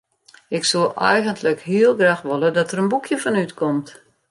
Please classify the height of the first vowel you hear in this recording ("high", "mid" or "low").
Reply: high